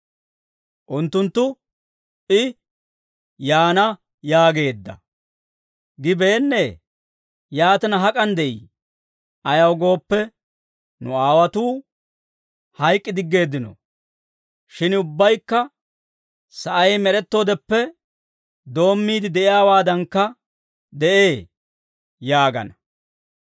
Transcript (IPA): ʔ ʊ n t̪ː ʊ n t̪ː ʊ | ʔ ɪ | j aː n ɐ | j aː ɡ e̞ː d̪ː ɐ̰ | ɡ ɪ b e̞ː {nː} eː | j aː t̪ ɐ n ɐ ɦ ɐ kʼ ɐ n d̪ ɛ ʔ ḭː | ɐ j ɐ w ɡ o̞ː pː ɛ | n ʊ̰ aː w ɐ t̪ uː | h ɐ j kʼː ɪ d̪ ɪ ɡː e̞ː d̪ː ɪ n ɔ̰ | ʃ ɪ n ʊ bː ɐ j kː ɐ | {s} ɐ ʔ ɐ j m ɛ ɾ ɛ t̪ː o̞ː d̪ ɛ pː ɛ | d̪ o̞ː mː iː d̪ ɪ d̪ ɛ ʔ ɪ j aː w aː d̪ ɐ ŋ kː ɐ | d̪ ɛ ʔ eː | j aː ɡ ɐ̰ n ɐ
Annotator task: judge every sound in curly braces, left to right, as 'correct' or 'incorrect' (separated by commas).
correct, correct